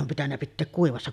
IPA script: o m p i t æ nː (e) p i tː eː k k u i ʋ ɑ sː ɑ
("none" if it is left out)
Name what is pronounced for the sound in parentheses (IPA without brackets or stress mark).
æ